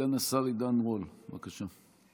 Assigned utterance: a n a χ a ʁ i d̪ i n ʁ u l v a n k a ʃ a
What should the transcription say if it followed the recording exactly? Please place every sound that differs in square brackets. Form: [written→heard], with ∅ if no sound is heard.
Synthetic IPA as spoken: a n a [χ→s] a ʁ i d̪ [i→a] n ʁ [u→o] l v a [n→∅] k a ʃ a

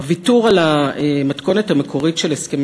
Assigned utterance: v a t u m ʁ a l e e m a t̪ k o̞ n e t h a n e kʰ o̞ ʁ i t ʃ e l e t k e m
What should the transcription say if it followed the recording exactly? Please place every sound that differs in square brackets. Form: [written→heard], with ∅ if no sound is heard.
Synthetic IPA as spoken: v [a→i] t u [m→∅] ʁ a l [e→a] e m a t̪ k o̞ n e t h a [n→m] e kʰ o̞ ʁ i t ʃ e l e [t→s] k e m

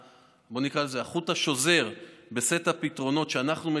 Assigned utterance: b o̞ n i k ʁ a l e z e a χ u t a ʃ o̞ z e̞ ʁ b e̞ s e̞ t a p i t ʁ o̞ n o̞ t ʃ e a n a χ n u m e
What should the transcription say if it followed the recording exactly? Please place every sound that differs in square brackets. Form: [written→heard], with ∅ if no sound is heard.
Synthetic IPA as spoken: b o̞ n i k ʁ a l e z e a χ u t a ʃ o̞ z e̞ ʁ b e̞ s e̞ t a p i t ʁ o̞ n o̞ t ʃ e a n a χ n u m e

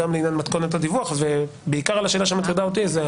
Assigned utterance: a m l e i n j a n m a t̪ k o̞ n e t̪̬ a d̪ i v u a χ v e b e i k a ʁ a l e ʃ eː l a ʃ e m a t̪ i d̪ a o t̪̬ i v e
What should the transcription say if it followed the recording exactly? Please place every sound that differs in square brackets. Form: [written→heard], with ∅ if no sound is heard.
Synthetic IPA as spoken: a m l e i n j a n m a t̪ k o̞ n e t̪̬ a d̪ i v u a χ v e b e i k a ʁ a l [e→a] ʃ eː l a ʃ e m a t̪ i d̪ a o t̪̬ i [v→z] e

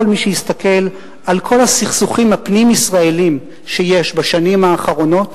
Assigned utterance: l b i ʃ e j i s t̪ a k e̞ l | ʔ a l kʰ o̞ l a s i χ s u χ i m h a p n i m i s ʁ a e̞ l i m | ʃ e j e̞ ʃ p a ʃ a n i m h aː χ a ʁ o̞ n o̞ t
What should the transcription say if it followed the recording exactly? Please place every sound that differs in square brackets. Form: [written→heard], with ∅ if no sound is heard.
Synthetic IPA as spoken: l [b→m] i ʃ e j i s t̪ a k e̞ l | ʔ a l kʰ o̞ l a s i χ s u χ i m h a p n i m i s ʁ a e̞ l i m | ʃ e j e̞ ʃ [p→b] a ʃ a n i m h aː χ a ʁ o̞ n o̞ t

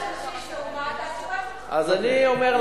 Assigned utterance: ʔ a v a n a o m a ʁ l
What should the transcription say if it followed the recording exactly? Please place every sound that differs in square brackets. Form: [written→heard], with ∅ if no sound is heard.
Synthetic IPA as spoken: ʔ a [v→z] a n [a→i] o m [a→e] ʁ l

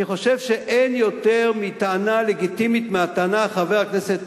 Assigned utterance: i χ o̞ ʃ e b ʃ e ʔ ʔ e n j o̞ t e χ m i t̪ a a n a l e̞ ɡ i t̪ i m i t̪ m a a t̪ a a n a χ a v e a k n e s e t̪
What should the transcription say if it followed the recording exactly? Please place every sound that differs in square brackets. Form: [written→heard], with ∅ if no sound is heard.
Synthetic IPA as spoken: i χ o̞ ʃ e [b→v] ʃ e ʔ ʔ e n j o̞ t e [χ→ʁ] m i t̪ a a n a l e̞ ɡ i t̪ i m i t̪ m [a→e] a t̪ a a n a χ a v e a k n e s e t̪

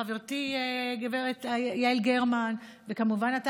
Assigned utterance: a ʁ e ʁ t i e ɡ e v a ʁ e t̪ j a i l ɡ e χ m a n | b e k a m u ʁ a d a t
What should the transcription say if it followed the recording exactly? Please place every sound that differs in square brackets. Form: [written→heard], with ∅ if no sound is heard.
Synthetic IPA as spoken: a [ʁ→v] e ʁ t i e ɡ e v [a→e] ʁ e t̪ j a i l ɡ e [χ→ʁ] m a n | [b→v] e k a m u [ʁ→v] a [d→n] a t

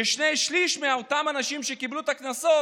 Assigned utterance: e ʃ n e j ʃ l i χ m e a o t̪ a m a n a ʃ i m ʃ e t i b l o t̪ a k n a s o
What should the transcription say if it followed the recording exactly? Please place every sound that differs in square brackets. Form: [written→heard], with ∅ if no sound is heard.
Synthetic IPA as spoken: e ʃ n e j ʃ l i [χ→ʃ] m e a o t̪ a m a n a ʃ i m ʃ e [t→k] i b l [o→u] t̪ a k n a s o

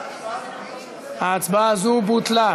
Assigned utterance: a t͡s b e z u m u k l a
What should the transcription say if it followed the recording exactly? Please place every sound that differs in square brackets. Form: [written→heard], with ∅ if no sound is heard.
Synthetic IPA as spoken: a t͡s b [e→a] z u [m→b] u [k→t] l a

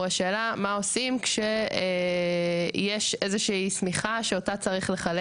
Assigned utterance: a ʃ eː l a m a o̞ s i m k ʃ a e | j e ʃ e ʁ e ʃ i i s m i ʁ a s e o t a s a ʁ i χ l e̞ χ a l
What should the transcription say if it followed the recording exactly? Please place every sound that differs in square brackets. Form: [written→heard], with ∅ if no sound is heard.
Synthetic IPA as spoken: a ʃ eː l a m a o̞ s i m k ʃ [a→e] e | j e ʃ e [ʁ→z] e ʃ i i s m i [ʁ→χ] a [s→ʃ] e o t a [s→t͡s] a ʁ i χ l e̞ χ a l

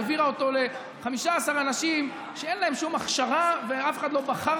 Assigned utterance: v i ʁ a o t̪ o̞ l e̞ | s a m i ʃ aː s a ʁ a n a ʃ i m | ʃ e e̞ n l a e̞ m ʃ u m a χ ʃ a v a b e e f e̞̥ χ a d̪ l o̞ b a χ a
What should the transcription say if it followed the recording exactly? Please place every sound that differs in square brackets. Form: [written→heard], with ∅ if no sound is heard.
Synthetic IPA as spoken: v i ʁ a o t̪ o̞ l e̞ | [s→χ] a m i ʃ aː s a ʁ a n a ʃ i m | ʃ e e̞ n l a e̞ m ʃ u m a χ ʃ a [v→ʁ] a [b→v] e [e→a] f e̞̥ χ a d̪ l o̞ b a χ a

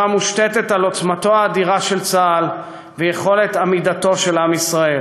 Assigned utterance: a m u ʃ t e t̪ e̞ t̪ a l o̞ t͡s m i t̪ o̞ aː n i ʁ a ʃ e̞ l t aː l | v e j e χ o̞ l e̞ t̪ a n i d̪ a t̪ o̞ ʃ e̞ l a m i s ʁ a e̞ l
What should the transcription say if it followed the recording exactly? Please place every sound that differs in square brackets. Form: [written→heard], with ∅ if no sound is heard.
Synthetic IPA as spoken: a m u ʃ t e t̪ e̞ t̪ a l o̞ t͡s m [i→a] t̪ o̞ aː [n→d] i ʁ a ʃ e̞ l [t→t͡s] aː l | v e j e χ o̞ l e̞ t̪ a [n→m] i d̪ a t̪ o̞ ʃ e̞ l a m i s ʁ a e̞ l

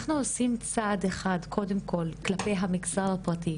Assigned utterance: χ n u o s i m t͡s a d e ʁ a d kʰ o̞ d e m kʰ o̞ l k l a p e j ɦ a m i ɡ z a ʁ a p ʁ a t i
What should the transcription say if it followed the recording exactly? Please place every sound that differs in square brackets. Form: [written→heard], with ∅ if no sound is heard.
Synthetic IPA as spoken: χ n u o s i m t͡s a d e [ʁ→χ] a d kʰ o̞ d e m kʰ o̞ l k l a p e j ɦ a m i ɡ z a ʁ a p ʁ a t i

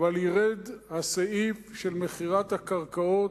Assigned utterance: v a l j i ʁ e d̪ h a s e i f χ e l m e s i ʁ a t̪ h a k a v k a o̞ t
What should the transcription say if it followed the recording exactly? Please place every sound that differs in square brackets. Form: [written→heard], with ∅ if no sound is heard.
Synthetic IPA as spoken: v a l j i ʁ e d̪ h a s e i f [χ→ʃ] e l m e [s→χ] i ʁ a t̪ h a k a [v→ʁ] k a o̞ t

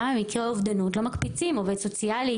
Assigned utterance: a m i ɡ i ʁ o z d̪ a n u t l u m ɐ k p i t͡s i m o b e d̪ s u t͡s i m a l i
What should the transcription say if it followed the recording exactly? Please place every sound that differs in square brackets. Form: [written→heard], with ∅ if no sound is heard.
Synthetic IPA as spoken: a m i [ɡ→k] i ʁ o [z→v] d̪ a n u t l [u→o] m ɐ k p i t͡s i m o [b→v] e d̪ s [u→o] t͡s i [m→∅] a l i

